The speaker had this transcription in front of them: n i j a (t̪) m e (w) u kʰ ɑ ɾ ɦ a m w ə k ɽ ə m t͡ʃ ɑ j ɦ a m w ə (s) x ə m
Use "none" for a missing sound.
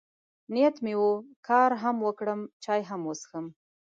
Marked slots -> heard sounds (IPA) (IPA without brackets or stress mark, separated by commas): t̪, w, s